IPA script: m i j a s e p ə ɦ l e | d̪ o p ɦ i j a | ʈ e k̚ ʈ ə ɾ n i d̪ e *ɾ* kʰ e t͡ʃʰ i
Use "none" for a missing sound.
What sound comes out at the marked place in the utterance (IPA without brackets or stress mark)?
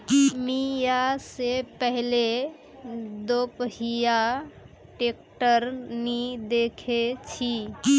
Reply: none